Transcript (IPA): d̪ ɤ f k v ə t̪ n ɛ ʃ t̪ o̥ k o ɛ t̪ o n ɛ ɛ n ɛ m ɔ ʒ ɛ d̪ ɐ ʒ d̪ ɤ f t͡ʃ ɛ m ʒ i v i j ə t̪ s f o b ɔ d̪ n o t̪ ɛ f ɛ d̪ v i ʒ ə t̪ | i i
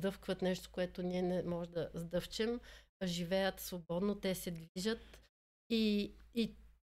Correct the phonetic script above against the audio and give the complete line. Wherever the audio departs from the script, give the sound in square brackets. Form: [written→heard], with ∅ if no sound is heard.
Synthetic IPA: d̪ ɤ f k v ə t̪ n ɛ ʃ t̪ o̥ k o ɛ t̪ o n [ɛ→i] ɛ n ɛ m ɔ ʒ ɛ d̪ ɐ [ʒ→z] d̪ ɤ f t͡ʃ ɛ m ʒ i v [i→ɛ] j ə t̪ s [f→v] o b ɔ d̪ n o t̪ ɛ [f→s] ɛ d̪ v i ʒ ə t̪ | i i